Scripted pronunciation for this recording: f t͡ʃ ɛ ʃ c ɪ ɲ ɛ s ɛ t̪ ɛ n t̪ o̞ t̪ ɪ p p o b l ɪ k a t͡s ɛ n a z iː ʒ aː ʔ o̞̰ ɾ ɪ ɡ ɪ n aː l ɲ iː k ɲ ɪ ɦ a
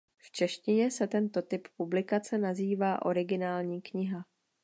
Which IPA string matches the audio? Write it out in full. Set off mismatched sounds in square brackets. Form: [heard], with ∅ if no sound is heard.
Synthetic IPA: f t͡ʃ ɛ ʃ c ɪ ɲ ɛ s ɛ t̪ ɛ n t̪ o̞ t̪ ɪ p p [u] b l ɪ k a t͡s ɛ n a z iː [v] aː ʔ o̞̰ ɾ ɪ ɡ ɪ n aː l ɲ iː k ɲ ɪ ɦ a

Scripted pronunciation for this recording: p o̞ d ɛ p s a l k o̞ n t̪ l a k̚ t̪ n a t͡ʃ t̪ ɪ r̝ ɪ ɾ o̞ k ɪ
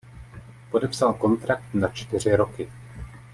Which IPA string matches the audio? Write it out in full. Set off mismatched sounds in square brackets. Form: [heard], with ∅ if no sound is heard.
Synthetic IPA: p o̞ d ɛ p s a l k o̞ n t̪ [ɾ] a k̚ t̪ n a t͡ʃ t̪ ɪ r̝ ɪ ɾ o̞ k ɪ

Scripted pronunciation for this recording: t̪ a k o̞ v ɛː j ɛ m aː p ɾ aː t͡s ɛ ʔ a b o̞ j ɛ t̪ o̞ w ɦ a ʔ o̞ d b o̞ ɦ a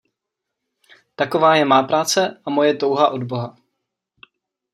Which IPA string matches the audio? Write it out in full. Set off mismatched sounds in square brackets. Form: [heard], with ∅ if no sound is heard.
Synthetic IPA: t̪ a k o̞ v [aː] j ɛ m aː p ɾ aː t͡s ɛ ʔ a [m] o̞ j ɛ t̪ o̞ w ɦ a ʔ o̞ d b o̞ ɦ a

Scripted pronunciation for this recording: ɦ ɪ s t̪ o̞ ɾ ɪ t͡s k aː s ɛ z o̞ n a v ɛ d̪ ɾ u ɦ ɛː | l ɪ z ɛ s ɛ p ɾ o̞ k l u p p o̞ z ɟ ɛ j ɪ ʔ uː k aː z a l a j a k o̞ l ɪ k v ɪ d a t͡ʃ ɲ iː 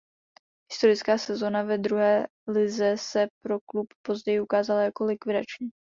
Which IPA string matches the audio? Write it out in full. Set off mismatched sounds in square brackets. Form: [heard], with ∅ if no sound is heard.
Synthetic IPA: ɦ ɪ s t̪ o̞ ɾ ɪ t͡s k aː s ɛ z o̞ n a v ɛ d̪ ɾ u ɦ ɛː | l ɪ z ɛ s ɛ p ɾ o̞ k l u p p o̞ z ɟ ɛ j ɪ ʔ [u] k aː z a l a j a k o̞ l ɪ k v ɪ d a t͡ʃ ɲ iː

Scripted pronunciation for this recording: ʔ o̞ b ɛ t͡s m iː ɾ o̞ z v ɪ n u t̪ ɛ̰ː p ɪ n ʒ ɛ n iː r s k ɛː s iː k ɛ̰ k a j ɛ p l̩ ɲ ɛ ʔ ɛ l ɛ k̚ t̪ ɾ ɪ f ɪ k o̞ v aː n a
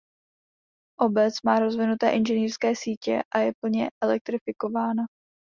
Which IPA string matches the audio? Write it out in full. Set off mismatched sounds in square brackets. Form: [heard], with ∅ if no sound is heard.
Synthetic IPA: ʔ o̞ b ɛ t͡s m [aː] ɾ o̞ z v ɪ n u t̪ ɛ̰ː [ʔ] ɪ n ʒ ɛ n iː r s k ɛː s iː [c] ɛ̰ [ʔ] a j ɛ p l̩ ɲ ɛ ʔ ɛ l ɛ k̚ t̪ ɾ ɪ f ɪ k o̞ v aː n a

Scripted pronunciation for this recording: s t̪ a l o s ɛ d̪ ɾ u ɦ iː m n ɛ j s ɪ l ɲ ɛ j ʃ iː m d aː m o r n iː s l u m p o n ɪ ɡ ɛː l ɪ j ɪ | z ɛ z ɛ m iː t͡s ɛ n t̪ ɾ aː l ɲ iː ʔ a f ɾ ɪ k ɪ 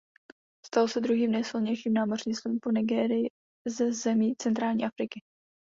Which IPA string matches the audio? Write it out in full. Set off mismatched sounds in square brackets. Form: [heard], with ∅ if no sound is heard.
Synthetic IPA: s t̪ a l o s ɛ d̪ ɾ u ɦ iː m n ɛ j s ɪ l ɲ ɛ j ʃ iː m [n] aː m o r [ɲ] iː s l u m p o n ɪ ɡ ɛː [ɾ] ɪ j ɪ | z ɛ z ɛ m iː t͡s ɛ n t̪ ɾ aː l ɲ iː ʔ a f ɾ ɪ k ɪ

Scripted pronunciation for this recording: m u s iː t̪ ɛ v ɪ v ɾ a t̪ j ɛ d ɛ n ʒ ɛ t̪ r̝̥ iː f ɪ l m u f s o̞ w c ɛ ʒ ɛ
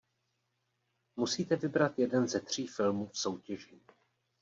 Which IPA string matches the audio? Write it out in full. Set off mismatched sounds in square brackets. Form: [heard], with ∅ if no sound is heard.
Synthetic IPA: m u s iː t̪ ɛ v ɪ [b] ɾ a t̪ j ɛ d ɛ n [z] ɛ t̪ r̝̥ iː f ɪ l m u f s o̞ w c ɛ ʒ [i]

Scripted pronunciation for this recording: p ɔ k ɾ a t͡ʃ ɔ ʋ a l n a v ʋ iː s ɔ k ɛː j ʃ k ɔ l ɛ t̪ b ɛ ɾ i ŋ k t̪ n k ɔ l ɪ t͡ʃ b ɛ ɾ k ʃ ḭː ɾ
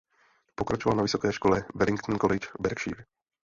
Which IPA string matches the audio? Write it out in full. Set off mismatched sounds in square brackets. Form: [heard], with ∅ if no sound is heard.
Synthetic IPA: p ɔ k ɾ a t͡ʃ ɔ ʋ a l n a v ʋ [i] s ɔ k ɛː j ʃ k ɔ l ɛ [∅] b ɛ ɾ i ŋ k t̪ n k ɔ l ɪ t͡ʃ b ɛ ɾ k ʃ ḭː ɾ

